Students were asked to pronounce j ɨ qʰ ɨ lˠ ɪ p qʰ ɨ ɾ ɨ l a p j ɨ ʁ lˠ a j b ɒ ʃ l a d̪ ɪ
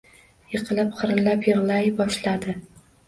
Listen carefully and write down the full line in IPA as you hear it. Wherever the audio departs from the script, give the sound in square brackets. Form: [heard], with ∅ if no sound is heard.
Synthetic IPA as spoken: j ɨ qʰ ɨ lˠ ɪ p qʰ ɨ ɾ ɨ l a p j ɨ ʁ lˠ a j b ɒ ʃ l a d̪ ɪ